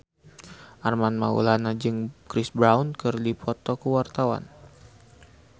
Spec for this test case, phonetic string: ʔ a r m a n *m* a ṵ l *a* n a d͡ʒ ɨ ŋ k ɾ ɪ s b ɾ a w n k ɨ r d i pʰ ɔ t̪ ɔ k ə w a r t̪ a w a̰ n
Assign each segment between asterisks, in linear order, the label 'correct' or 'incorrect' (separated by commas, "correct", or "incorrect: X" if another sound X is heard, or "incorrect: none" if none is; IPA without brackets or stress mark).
correct, correct